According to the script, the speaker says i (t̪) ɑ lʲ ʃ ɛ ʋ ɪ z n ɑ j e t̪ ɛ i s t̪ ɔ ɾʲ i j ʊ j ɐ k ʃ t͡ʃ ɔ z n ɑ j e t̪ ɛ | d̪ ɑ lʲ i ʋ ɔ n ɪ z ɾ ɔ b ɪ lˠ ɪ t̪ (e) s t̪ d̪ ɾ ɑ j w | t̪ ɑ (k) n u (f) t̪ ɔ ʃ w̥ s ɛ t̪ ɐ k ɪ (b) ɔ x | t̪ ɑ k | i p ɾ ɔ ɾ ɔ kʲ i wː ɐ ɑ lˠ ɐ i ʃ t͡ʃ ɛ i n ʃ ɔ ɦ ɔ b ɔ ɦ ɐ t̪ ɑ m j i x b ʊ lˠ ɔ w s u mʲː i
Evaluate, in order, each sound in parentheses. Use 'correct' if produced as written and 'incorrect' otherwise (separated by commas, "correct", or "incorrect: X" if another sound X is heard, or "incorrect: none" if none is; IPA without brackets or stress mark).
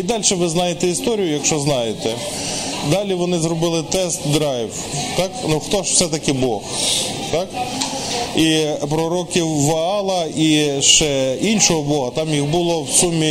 incorrect: d̪, incorrect: ɛ, correct, incorrect: x, correct